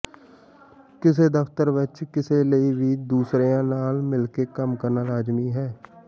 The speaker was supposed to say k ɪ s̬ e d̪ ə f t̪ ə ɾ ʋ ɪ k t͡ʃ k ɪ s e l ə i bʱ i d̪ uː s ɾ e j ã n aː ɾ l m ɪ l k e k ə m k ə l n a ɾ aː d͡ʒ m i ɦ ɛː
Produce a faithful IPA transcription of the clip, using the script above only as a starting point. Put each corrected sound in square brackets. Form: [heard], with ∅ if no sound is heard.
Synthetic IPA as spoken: k ɪ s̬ e d̪ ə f t̪ ə ɾ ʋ ɪ [∅] t͡ʃ k ɪ s e l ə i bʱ i d̪ uː s ɾ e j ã n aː [∅] l m ɪ l k e k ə m k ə [ɾ] n a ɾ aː d͡ʒ m i ɦ ɛː